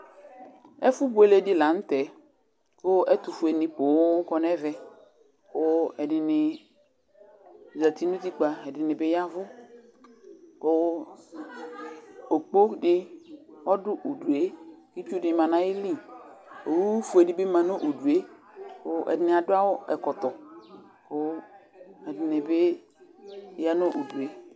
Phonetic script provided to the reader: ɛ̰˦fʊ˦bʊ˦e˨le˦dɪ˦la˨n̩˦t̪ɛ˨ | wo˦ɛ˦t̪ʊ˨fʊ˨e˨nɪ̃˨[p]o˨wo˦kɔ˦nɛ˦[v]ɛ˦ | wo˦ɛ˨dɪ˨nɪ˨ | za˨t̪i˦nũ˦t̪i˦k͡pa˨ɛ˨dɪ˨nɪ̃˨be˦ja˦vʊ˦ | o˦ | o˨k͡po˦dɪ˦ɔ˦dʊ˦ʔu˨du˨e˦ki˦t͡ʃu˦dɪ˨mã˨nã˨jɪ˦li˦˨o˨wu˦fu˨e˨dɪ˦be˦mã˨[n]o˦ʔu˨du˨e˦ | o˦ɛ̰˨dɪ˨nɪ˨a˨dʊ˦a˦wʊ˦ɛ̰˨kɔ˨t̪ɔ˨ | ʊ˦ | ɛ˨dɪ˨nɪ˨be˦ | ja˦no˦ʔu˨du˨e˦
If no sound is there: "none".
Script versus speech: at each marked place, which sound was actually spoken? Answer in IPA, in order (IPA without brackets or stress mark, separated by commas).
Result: p, v, n